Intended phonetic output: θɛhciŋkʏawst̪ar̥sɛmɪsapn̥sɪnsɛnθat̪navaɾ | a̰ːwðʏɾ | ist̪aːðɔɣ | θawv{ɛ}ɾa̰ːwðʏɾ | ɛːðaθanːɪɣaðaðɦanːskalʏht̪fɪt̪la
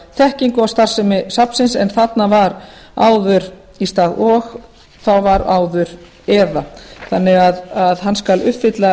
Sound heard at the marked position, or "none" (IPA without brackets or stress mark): a